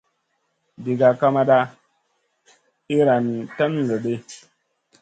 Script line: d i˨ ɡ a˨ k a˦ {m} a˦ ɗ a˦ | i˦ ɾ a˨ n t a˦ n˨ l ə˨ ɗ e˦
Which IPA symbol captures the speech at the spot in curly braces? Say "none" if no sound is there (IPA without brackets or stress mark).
m